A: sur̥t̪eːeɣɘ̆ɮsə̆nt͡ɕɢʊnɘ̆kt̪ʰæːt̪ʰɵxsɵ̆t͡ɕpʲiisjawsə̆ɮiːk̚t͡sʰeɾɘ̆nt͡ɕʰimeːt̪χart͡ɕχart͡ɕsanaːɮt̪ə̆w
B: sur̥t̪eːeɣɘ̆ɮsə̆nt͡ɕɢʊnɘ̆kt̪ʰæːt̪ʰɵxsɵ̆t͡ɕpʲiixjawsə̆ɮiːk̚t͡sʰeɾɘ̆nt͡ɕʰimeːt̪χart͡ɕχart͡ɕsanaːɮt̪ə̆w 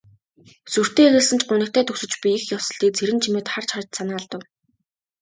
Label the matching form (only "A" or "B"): B